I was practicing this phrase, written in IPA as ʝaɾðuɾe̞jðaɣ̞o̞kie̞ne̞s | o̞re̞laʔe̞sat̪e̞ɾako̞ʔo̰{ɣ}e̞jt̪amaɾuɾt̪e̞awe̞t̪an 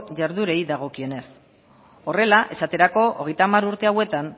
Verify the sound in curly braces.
correct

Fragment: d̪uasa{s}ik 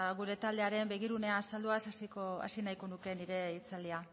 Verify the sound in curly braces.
correct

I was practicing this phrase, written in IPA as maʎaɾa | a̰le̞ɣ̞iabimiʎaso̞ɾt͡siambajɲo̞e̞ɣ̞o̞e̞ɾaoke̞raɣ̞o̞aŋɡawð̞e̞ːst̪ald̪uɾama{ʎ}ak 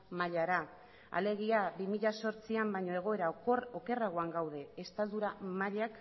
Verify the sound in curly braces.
correct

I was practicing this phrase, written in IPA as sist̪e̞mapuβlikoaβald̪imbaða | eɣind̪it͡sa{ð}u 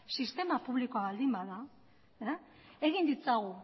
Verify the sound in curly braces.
incorrect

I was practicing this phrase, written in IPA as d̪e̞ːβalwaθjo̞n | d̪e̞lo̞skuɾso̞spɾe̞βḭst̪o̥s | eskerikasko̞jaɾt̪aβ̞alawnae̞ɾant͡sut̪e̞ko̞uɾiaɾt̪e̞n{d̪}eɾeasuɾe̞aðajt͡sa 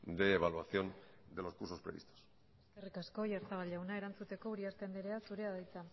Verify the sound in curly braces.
correct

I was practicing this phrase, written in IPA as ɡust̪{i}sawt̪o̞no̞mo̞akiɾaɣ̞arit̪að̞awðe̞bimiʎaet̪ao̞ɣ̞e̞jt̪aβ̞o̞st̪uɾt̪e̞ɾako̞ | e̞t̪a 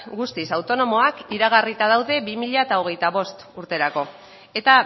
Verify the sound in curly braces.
correct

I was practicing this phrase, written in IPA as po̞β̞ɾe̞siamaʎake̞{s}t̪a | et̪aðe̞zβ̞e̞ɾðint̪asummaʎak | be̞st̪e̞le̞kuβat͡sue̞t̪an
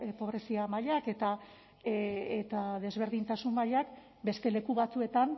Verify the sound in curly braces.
incorrect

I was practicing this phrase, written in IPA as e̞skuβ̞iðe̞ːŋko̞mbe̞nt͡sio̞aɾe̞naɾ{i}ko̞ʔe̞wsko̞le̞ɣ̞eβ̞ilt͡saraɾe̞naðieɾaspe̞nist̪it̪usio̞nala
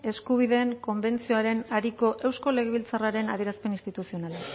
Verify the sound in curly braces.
correct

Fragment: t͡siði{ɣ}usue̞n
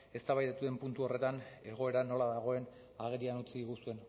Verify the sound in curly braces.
correct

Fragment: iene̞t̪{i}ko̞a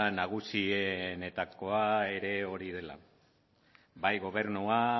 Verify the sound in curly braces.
incorrect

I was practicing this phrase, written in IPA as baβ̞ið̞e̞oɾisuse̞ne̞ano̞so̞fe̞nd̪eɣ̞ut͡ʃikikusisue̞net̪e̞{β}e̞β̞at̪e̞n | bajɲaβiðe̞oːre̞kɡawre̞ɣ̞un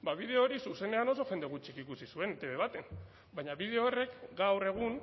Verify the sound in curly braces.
correct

